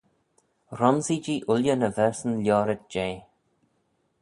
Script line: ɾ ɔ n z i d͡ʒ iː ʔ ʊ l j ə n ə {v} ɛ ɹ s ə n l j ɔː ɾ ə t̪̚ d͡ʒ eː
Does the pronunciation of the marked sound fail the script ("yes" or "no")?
no